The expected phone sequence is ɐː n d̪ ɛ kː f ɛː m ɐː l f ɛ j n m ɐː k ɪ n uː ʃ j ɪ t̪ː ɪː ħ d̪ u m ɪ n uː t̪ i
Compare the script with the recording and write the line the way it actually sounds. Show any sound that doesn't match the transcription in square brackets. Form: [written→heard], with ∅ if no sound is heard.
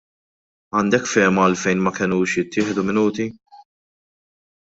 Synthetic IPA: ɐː n d̪ ɛ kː f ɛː m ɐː l f ɛ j n m [ɐː→ɐ] k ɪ n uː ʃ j ɪ t̪ː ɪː ħ d̪ u m ɪ n uː t̪ i